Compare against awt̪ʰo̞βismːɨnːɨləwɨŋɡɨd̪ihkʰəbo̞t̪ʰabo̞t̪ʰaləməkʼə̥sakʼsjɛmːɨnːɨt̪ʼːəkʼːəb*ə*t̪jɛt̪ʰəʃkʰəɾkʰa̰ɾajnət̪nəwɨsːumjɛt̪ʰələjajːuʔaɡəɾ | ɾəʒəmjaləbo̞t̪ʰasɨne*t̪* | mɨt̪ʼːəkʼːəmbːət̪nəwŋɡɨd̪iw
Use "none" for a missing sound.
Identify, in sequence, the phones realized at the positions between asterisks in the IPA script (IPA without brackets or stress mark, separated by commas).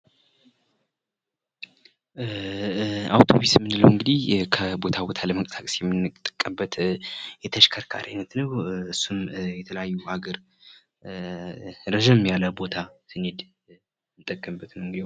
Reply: ə, d̪